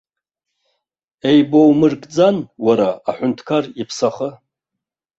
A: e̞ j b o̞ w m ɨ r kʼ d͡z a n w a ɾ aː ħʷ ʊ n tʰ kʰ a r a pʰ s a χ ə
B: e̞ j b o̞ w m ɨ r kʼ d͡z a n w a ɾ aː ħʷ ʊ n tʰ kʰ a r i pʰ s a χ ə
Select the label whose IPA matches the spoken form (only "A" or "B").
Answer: B